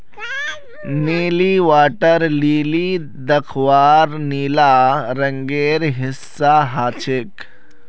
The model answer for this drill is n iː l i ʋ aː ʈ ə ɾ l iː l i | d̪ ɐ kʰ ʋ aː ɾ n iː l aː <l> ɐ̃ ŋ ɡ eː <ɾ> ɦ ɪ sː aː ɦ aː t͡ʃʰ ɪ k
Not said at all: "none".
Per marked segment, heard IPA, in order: ɾ, ɾ

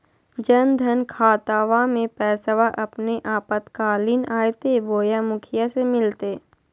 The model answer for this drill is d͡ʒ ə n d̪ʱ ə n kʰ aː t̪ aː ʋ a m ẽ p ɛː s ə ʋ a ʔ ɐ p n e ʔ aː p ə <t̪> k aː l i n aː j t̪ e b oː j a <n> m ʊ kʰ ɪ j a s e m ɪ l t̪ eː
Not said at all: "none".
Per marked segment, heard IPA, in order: t̪, none

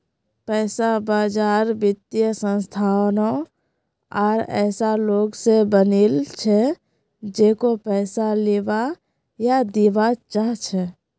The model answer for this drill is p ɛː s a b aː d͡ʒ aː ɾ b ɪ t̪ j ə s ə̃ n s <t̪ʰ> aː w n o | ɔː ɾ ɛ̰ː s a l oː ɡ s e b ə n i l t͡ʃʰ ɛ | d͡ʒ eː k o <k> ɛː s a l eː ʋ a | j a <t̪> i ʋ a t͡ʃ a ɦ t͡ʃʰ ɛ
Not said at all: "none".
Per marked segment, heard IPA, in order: t̪ʰ, p, d̪

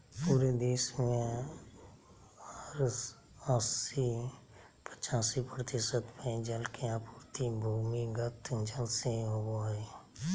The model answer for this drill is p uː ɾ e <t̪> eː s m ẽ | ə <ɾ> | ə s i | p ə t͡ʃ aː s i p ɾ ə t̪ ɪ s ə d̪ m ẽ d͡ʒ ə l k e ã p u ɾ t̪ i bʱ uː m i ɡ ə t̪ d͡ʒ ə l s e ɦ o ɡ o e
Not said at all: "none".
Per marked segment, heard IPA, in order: d̪, ɾ

